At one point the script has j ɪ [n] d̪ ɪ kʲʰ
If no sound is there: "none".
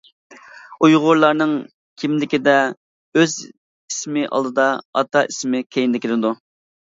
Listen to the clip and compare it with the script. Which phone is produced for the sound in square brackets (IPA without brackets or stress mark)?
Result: n